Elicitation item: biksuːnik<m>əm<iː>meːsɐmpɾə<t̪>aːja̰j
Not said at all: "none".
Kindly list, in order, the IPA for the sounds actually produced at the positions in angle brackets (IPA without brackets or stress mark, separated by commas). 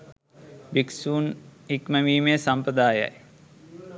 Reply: m, iː, d̪